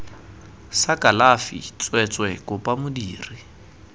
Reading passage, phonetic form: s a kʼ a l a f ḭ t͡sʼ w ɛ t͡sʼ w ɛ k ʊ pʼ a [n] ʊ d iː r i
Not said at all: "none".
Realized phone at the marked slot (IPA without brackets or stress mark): m